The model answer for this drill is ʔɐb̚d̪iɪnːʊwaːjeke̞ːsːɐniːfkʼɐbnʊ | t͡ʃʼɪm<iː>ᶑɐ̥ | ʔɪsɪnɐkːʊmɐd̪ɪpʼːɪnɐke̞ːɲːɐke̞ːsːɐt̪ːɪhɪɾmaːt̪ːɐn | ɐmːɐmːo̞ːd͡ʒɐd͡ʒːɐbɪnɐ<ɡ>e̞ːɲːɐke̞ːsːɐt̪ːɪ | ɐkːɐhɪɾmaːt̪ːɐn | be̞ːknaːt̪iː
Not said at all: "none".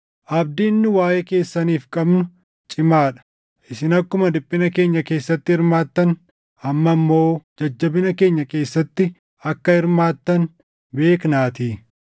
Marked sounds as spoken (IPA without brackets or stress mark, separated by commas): aː, k